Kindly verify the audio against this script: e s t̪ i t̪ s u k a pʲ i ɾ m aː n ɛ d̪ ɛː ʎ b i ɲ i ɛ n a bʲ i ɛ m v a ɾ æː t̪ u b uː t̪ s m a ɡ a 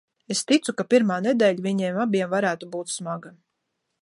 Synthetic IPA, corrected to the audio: e s t̪ i t̪ s u k a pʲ i ɾ m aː n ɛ d̪ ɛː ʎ v i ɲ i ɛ m a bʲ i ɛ m v a ɾ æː t̪ u b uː t̪ s m a ɡ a